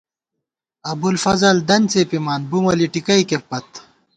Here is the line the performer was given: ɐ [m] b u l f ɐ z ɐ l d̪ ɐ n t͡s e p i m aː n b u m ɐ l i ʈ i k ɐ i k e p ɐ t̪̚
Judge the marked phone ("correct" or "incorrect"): incorrect